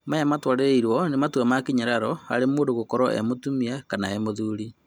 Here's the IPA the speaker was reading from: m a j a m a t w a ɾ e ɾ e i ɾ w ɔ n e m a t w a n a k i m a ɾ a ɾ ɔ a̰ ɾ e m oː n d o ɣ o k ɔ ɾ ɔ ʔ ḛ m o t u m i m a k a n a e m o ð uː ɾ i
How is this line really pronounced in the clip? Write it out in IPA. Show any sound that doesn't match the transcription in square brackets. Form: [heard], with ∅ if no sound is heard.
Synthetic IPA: m a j a m a t w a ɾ e ɾ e i ɾ w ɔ n e m a t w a [m] a k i [ɲ] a ɾ a ɾ ɔ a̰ ɾ e m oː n d o ɣ o k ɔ ɾ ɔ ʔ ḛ m o t u m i [∅] a k a n a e m o ð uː ɾ i